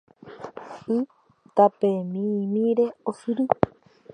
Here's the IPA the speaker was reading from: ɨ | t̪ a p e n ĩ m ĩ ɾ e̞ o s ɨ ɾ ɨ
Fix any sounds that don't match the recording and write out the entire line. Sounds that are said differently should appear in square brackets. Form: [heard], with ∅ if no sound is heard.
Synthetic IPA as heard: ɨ | t̪ a p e [m] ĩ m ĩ ɾ e̞ o s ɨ ɾ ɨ